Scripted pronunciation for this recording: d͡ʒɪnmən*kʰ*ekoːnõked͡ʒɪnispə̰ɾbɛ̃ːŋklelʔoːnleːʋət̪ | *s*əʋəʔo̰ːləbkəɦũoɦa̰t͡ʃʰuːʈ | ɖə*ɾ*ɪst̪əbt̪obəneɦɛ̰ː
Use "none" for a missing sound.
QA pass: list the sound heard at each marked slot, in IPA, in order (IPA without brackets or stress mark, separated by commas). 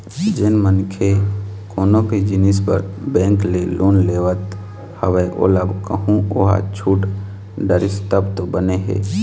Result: kʰ, h, ɾ